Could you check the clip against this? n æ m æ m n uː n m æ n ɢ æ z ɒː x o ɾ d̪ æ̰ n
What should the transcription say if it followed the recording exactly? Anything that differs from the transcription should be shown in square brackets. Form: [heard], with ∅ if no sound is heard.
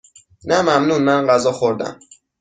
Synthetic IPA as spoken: n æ m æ m n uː n m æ n ɢ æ z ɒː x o ɾ d̪ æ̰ [m]